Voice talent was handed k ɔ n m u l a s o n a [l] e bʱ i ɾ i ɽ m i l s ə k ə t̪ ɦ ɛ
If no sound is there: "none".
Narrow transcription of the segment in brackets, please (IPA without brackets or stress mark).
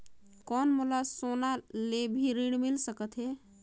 l